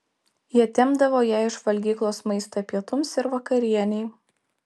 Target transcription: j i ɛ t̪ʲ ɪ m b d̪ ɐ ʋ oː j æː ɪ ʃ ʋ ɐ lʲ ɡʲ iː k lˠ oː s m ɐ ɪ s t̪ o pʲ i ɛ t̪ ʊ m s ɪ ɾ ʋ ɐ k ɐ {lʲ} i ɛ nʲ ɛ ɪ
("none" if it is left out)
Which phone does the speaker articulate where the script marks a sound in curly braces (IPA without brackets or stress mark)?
ɾʲ